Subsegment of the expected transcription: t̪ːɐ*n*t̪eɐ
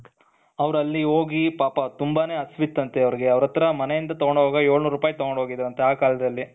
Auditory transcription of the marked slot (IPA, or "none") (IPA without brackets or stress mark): n